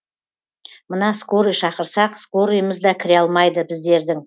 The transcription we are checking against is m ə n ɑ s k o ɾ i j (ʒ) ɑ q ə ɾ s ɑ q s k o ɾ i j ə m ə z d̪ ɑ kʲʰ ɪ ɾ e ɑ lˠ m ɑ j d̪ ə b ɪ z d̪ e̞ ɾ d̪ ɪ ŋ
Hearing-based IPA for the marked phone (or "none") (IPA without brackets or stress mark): ʃ